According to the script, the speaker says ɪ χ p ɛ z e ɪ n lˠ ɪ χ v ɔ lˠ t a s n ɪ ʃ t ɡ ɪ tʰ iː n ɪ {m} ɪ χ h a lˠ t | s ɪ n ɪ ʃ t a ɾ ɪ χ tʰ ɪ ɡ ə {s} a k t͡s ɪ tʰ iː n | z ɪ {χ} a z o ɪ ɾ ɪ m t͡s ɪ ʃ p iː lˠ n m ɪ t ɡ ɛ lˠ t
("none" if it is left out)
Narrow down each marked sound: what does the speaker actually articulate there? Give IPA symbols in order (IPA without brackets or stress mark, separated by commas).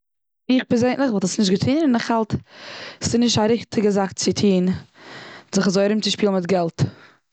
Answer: n, z, χ